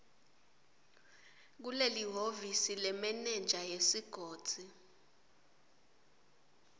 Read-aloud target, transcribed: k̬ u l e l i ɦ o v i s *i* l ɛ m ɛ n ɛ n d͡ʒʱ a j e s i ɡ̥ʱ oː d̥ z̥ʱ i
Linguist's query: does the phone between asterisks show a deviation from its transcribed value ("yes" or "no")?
no